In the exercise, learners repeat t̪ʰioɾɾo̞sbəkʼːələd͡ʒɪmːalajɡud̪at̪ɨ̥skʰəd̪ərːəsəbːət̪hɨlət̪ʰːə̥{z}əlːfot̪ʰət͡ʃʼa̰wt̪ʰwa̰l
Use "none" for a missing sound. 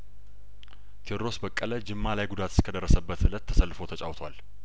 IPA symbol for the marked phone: s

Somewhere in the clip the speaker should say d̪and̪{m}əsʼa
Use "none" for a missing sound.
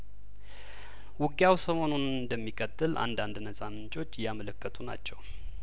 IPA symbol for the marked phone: n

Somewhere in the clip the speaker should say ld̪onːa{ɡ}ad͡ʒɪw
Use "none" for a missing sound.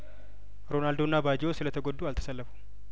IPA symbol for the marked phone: b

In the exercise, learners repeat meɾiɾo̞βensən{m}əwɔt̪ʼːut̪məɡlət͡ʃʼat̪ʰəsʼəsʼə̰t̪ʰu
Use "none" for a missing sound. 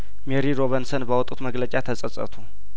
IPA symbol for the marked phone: b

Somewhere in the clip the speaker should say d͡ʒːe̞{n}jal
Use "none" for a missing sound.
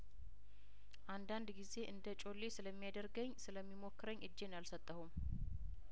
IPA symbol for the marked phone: n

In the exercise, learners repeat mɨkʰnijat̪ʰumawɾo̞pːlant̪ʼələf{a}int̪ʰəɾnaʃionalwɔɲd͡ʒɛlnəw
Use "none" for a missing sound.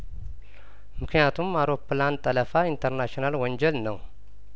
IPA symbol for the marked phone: a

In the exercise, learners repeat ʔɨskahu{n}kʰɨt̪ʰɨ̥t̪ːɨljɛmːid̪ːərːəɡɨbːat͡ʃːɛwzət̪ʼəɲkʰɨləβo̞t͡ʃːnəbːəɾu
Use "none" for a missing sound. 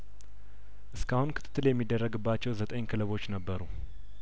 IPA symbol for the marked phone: n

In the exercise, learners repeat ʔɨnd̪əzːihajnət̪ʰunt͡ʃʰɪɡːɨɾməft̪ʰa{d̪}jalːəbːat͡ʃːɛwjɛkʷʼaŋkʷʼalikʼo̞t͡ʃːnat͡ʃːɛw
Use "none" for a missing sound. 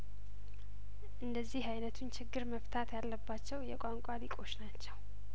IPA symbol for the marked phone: t̪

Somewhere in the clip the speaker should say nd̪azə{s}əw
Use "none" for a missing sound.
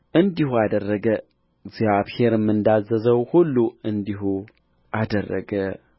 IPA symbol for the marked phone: z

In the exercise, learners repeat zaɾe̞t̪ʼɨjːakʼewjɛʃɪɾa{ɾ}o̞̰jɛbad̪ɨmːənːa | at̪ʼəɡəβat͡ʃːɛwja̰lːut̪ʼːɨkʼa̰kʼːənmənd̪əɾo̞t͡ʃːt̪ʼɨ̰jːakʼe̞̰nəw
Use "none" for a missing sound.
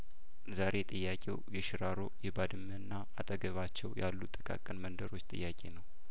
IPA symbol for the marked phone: ɾ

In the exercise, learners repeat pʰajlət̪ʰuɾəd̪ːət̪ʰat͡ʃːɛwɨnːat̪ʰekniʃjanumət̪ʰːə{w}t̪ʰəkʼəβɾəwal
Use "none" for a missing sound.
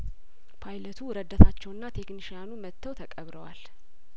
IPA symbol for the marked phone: w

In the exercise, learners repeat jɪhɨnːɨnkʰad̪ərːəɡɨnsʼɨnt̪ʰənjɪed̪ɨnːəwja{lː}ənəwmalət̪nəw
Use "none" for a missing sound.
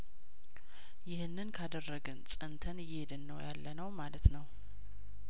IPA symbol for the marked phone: lː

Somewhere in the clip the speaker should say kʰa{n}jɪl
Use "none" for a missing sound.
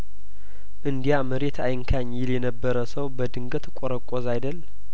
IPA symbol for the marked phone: ɲ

